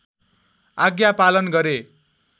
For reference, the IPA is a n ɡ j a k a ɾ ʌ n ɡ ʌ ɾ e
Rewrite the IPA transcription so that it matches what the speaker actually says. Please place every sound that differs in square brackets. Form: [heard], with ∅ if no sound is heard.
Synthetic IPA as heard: a [∅] ɡ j a [p] a [l] ʌ n ɡ ʌ ɾ e